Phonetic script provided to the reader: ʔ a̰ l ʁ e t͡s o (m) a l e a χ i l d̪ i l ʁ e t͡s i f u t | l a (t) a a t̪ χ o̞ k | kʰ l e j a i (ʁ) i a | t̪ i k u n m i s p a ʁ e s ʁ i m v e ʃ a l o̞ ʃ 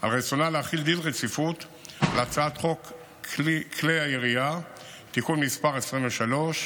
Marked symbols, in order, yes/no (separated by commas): no, no, yes